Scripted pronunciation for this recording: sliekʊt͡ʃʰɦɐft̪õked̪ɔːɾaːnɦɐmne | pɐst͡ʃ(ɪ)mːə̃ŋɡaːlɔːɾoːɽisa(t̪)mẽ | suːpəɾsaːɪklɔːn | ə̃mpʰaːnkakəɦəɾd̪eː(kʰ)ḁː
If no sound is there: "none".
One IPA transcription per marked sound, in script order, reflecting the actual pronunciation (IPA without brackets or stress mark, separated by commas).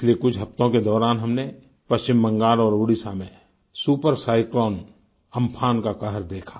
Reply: ɪ, none, kʰ